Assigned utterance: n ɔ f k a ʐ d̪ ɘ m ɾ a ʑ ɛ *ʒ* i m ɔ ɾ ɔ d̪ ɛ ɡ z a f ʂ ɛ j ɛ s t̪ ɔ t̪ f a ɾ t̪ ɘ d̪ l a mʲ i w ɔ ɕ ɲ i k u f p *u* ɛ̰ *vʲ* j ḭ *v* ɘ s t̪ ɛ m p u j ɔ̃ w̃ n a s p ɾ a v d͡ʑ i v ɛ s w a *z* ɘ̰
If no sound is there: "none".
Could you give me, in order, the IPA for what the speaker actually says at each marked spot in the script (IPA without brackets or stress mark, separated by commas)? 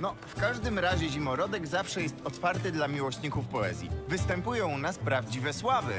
ʑ, ɔ, zʲ, v, v